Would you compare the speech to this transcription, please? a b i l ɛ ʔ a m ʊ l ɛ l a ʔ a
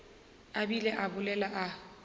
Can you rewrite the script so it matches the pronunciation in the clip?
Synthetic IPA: a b i l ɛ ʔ a b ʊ l ɛ l a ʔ a